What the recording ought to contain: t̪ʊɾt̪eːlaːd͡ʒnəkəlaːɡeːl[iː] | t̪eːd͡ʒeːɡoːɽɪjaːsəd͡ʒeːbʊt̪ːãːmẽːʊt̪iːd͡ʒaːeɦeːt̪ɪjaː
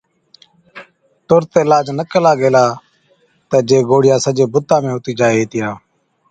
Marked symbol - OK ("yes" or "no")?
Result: no